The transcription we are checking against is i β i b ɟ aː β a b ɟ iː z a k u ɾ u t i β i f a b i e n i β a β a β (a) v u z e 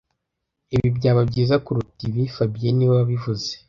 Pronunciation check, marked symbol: incorrect: i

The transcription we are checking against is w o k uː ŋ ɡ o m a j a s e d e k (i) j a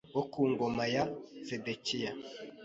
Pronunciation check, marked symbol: correct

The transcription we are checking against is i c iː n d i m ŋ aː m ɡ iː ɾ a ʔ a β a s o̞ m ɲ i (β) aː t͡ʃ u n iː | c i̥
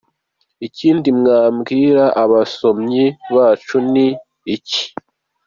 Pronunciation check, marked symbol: correct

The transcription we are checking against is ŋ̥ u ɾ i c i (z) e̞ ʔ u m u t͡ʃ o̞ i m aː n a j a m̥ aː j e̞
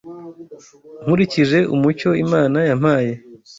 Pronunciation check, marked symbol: incorrect: ʒ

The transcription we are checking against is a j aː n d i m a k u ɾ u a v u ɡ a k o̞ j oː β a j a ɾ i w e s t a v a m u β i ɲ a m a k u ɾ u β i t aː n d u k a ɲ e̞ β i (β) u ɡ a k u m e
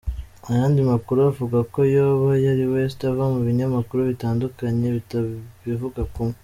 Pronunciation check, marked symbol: incorrect: v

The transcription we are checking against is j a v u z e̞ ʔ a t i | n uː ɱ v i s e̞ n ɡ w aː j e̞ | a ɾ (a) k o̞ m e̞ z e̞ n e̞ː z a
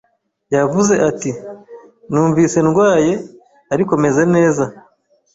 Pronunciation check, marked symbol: incorrect: i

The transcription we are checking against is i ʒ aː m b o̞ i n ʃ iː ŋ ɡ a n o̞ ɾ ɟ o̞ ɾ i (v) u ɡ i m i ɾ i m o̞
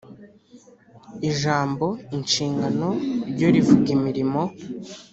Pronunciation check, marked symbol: correct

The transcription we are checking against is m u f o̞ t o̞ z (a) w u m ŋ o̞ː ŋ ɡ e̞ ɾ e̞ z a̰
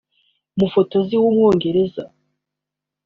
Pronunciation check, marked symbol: incorrect: i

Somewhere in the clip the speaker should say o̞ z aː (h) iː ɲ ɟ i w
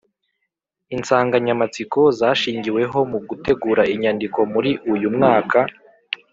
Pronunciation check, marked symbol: incorrect: ʃ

